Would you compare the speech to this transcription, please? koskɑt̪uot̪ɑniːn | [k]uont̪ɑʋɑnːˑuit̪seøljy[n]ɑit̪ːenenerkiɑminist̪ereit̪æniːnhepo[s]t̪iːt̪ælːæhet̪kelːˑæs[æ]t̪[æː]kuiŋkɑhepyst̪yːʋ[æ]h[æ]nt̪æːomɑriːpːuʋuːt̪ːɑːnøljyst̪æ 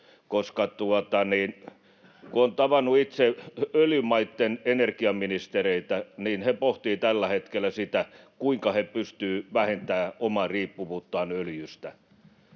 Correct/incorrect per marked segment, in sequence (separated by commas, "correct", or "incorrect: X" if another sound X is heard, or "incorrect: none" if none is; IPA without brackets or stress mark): correct, incorrect: m, incorrect: h, incorrect: i, incorrect: æ, correct, incorrect: e